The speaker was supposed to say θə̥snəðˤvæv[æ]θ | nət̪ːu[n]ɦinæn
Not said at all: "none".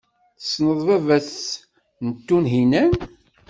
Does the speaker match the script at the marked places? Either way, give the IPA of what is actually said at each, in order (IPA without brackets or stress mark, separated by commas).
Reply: æ, n